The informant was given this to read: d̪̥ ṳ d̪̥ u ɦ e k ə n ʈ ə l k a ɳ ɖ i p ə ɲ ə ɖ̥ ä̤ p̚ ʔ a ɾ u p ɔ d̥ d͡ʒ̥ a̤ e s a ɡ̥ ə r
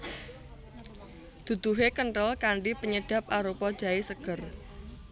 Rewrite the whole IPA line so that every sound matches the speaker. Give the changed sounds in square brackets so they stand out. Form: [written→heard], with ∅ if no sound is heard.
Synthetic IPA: d̪̥ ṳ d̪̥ u ɦ e k ə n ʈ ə l k a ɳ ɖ i p ə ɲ ə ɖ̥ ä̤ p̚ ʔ a ɾ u p ɔ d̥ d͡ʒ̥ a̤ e s [a→ə] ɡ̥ ə r